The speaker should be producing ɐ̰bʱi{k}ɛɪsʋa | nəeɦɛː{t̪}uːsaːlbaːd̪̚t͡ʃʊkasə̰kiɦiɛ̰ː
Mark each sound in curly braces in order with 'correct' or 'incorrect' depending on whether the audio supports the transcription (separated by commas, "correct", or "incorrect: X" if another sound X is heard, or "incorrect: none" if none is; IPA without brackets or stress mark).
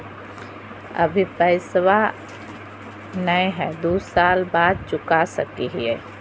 incorrect: p, incorrect: d̪